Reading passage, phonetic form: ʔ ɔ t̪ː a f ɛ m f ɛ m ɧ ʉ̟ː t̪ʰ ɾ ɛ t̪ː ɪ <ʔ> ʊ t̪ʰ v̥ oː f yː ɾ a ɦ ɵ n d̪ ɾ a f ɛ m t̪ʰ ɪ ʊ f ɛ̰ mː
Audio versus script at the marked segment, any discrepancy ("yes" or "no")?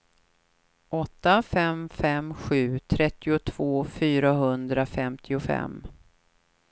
yes